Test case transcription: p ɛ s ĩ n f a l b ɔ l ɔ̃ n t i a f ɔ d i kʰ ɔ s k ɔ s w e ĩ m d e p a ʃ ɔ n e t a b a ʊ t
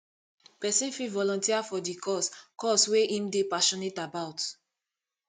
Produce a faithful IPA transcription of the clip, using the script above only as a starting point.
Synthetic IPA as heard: p ɛ s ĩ n f i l v ɔ l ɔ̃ n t i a f ɔ d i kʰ ɔ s k ɔ s w e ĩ m d e p a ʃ ɔ n e t a b a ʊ t